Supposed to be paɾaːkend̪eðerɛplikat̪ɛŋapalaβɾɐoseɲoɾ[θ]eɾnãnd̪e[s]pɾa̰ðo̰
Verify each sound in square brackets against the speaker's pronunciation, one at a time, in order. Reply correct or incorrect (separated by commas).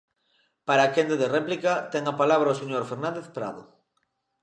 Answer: incorrect, incorrect